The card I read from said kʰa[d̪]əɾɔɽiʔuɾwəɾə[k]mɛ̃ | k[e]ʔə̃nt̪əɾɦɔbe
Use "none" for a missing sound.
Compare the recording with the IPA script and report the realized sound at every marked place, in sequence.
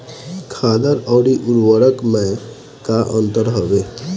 d̪, k, a

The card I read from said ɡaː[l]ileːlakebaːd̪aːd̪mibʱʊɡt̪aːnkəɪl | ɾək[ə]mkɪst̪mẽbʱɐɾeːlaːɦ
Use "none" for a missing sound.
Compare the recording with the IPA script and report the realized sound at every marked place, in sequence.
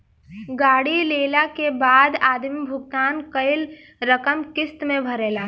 ɽ, ə

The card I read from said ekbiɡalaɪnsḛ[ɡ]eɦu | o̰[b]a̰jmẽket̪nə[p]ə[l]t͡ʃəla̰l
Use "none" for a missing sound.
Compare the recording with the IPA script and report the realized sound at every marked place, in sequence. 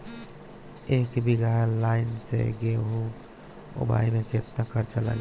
ɡ, b, k, ɾ

